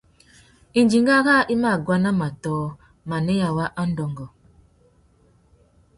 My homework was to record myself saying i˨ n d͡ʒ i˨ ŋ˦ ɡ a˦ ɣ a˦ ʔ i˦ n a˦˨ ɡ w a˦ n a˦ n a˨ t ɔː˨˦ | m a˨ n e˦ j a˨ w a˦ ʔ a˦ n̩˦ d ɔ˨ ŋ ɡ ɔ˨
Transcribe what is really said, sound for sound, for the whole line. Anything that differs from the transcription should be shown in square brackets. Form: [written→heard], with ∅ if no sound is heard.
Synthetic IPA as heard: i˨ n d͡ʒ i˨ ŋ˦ ɡ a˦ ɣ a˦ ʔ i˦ [n→m] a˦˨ ɡ w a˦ n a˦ [n→m] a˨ t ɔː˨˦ | m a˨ n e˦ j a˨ w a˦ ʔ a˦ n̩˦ d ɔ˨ ŋ ɡ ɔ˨